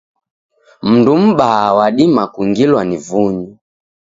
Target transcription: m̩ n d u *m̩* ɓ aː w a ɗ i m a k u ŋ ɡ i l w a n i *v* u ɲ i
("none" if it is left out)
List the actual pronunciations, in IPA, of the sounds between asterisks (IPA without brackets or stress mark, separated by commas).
m̩, v